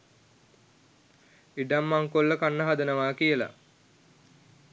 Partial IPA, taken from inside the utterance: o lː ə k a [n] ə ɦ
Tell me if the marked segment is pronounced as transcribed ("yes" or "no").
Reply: no